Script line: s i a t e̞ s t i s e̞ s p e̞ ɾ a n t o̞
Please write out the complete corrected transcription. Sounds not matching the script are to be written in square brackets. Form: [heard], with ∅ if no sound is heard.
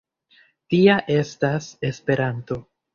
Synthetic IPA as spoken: [t] i a [ʔ] e̞ s t [a] s e̞ s p e̞ ɾ a n t o̞